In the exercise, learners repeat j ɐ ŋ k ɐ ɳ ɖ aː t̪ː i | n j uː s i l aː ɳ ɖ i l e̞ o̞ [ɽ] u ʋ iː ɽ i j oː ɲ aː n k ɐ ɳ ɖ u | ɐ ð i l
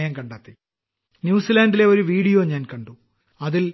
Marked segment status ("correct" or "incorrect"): incorrect